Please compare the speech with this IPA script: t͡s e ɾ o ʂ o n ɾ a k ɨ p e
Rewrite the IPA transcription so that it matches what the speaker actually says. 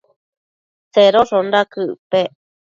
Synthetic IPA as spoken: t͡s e ɾ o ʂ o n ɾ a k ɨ p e